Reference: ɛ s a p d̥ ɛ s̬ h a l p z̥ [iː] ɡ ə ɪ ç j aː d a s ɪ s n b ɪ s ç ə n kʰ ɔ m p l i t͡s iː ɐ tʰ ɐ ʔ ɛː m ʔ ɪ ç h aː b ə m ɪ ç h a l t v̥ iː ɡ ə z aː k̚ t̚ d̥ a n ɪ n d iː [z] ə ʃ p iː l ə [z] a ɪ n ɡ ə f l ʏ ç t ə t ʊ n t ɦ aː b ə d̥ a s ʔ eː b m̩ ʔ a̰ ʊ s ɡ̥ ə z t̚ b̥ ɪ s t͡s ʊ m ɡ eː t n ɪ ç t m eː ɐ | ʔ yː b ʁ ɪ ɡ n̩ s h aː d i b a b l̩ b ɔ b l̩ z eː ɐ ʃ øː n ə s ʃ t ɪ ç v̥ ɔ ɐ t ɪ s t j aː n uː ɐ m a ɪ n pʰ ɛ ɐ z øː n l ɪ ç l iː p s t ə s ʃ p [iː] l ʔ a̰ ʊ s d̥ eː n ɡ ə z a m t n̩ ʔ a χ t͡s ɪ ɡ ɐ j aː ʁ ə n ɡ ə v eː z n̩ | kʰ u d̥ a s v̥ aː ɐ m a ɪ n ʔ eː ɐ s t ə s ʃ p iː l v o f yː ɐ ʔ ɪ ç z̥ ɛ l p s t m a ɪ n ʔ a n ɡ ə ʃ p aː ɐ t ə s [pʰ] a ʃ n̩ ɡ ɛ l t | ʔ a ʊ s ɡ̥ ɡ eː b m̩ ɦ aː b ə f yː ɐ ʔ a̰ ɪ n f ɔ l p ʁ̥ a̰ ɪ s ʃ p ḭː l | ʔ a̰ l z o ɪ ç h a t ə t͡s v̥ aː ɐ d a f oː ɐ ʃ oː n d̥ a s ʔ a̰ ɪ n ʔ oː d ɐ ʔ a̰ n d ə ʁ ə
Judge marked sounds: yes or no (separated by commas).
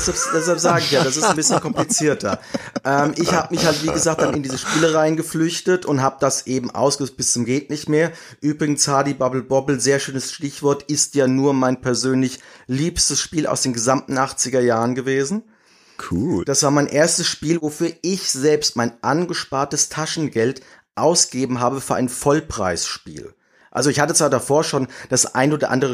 no, yes, no, yes, no